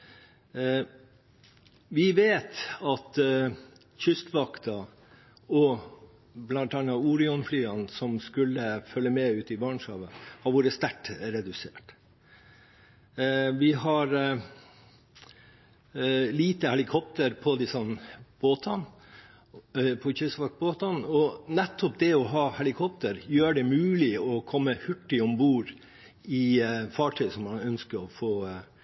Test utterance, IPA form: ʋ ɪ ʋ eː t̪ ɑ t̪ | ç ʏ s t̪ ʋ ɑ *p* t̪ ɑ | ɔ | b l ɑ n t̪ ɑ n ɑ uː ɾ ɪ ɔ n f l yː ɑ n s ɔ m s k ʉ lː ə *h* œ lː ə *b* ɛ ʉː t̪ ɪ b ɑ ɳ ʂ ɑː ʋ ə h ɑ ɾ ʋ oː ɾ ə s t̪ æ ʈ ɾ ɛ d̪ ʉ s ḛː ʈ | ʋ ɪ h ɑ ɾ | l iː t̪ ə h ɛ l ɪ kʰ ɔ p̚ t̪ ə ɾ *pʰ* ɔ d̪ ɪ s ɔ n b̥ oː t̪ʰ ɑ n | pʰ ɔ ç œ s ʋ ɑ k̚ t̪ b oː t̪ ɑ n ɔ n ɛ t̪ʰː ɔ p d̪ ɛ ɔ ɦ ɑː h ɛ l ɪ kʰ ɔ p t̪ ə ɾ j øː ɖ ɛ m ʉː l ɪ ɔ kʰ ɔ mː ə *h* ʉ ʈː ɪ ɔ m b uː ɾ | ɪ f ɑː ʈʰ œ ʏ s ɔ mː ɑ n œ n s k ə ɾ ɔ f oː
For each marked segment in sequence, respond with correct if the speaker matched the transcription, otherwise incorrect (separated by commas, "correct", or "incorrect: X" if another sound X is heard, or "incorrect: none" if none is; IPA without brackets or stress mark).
incorrect: k, incorrect: f, incorrect: m, correct, correct